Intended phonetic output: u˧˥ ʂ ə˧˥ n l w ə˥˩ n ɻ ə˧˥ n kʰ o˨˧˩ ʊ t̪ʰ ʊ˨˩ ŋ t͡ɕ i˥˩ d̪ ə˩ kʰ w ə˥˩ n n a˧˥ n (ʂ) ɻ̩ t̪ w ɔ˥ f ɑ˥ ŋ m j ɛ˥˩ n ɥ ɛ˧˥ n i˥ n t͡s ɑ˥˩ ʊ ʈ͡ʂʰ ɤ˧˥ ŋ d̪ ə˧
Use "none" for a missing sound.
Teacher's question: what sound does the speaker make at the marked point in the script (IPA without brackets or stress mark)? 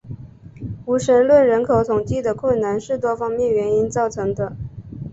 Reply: ʂ